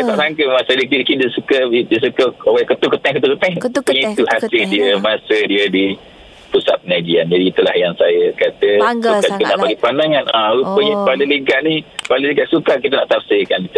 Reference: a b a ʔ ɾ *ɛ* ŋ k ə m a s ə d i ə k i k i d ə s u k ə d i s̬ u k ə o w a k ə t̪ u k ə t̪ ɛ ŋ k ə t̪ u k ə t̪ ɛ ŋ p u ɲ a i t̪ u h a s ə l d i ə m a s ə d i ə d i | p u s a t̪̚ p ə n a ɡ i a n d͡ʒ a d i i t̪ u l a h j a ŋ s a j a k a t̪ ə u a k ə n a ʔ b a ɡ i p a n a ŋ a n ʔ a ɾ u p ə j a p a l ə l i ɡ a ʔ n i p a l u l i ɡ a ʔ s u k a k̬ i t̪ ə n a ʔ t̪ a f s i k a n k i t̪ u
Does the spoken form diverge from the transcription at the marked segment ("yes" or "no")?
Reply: yes